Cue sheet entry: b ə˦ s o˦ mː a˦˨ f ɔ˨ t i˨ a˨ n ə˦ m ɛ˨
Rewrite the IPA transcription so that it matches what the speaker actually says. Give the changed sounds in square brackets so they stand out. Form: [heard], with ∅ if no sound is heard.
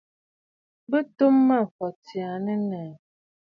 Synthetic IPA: b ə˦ [t] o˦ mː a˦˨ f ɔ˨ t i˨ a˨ n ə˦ [n] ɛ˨